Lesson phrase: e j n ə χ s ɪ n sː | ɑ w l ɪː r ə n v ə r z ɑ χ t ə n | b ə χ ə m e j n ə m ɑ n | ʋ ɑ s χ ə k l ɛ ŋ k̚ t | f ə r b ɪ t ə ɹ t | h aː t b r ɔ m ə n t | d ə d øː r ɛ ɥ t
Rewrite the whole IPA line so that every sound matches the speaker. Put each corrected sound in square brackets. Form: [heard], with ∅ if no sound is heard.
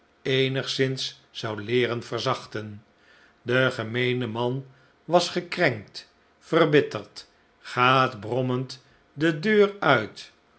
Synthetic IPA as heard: e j n ə χ s ɪ n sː | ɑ w l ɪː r ə n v ə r z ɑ χ t ə n | [d] ə χ ə m e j n ə m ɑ n | ʋ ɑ s χ ə k [r] ɛ ŋ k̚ t | f ə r b ɪ t ə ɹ t | [χ] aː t b r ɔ m ə n t | d ə d øː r [œ] ɥ t